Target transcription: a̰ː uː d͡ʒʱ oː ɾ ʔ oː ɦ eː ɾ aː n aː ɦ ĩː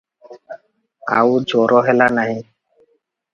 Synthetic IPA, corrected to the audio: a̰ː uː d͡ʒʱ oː ɾ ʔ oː ɦ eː l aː n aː ɦ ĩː